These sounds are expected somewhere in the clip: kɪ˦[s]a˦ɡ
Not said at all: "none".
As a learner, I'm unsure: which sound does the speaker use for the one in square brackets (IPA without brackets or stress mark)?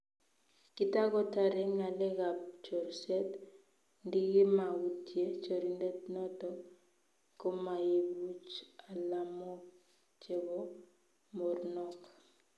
t